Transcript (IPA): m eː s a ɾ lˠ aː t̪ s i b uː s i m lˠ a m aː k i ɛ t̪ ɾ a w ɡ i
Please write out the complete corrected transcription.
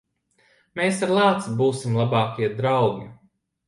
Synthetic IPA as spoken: m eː s a ɾ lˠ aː t̪ s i b uː s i m lˠ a b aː k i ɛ d̪ ɾ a w ɡ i